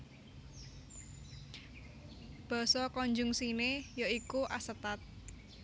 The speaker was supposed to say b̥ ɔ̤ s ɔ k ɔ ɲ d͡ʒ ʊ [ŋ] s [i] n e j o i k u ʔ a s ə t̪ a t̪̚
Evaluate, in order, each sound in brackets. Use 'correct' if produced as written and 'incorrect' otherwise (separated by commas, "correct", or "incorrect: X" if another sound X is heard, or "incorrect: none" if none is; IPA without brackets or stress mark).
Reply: correct, correct